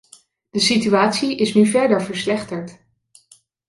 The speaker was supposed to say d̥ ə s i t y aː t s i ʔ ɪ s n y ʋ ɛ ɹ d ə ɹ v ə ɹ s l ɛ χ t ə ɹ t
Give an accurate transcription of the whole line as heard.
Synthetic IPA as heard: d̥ ə s i t y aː t s i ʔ ɪ s n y v ɛ ɹ d ə ɹ v ə ɹ s l ɛ χ t ə ɹ t